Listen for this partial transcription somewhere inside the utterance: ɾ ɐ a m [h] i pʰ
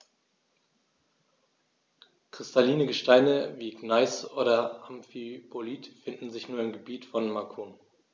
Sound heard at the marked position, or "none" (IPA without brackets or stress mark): f